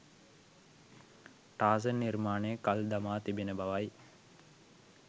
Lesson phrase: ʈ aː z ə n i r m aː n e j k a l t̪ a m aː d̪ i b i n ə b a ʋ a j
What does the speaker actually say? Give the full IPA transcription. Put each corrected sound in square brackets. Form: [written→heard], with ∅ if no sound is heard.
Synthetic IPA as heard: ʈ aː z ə n i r m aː n e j k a l [t̪→d̪] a m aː [d̪→t̪] i b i n ə b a ʋ a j